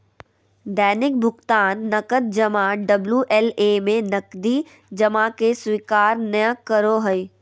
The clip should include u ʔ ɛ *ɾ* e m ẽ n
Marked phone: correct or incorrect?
incorrect